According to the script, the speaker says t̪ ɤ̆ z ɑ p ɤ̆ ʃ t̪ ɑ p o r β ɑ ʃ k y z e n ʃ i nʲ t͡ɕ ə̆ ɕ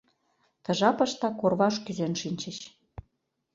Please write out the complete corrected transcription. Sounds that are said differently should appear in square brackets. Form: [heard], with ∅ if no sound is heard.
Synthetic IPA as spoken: t̪ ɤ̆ [ʒ] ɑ p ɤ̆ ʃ t̪ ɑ [k] o r β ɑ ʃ k y z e n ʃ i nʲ t͡ɕ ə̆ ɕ